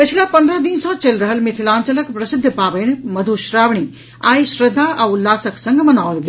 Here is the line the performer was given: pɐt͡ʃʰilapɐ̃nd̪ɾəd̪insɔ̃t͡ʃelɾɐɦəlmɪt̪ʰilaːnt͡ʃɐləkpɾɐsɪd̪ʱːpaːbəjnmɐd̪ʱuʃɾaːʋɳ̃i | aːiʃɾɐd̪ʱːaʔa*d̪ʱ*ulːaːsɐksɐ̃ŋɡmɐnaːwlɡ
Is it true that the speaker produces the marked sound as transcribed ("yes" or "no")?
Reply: no